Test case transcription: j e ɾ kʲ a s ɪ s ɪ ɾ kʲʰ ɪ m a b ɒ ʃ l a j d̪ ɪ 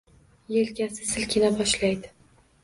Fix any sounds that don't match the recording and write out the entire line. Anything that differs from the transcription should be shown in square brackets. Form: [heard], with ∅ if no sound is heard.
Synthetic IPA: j e [l] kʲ a s ɪ s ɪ [l] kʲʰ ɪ [n] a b ɒ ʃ l a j d̪ ɪ